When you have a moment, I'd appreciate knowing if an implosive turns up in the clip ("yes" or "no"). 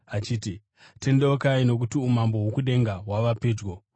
yes